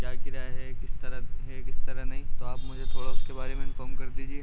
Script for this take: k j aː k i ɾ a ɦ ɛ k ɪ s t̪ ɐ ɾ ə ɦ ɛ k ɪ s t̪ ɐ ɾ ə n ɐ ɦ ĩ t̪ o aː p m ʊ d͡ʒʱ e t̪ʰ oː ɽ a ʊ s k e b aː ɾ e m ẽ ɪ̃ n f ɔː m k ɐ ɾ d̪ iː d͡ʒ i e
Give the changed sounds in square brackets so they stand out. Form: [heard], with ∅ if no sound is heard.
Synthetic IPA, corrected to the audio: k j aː k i ɾ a ɦ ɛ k ɪ s t̪ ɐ ɾ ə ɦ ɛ k ɪ s t̪ ɐ ɾ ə n ɐ ɦ ĩ t̪ o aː p m ʊ d͡ʒʱ e t̪ʰ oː ɽ a ʊ s k e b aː ɾ e m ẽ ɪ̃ n f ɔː m k ɐ ɾ d̪ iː d͡ʒ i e